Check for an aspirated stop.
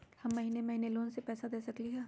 absent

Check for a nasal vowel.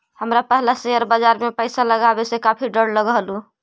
absent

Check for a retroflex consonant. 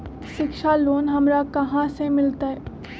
absent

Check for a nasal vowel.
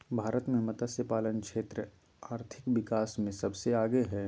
present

